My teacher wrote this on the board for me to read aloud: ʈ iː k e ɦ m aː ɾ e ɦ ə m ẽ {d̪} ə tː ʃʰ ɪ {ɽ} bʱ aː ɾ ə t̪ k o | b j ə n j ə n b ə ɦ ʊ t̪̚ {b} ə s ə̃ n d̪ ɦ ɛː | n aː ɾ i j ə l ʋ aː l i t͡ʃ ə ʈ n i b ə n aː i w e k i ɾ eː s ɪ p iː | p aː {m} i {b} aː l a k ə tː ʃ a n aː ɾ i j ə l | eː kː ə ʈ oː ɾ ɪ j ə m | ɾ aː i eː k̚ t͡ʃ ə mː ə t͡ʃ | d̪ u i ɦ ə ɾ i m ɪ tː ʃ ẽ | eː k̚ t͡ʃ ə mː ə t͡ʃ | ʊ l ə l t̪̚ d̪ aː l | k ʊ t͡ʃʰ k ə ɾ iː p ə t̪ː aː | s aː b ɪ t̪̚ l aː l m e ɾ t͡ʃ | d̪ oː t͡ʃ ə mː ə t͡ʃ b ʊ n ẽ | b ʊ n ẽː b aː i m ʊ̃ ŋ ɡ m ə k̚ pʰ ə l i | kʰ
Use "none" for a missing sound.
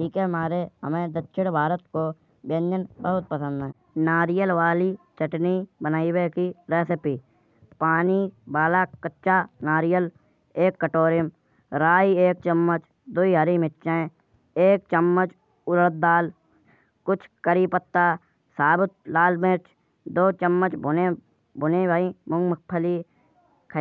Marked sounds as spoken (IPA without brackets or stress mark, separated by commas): d̪, ɽ, p, n, b